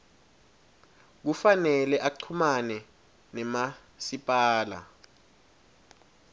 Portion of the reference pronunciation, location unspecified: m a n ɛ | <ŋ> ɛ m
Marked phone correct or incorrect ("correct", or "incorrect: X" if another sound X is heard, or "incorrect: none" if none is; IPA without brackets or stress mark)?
incorrect: n